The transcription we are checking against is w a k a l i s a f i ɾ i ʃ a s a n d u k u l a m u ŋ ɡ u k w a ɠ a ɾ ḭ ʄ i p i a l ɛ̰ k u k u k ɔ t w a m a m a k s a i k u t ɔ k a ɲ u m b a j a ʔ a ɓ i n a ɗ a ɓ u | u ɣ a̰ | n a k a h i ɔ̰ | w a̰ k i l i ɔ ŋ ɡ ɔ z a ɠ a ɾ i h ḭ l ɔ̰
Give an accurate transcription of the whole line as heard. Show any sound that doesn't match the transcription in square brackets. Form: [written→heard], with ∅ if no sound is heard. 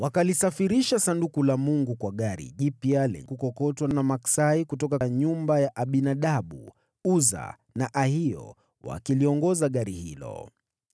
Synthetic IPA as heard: w a k a l i s a f i ɾ i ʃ a s a n d u k u l a m u ŋ ɡ u k w a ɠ a ɾ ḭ ʄ i p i a l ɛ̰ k u k [u→ɔ] k ɔ t w a [m→n] a m a k s a i k u t ɔ k a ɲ u m b a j a ʔ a ɓ i n a ɗ a ɓ u | u [ɣ→z] a̰ | n a [k→ʔ] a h i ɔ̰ | w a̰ k i l i ɔ ŋ ɡ ɔ z a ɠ a ɾ i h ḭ l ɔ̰